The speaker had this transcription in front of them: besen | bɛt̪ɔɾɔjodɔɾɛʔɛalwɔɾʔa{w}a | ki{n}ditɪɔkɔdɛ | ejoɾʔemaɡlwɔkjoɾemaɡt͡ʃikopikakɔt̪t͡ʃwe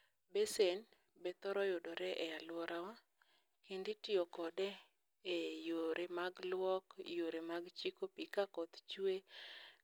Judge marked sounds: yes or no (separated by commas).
yes, yes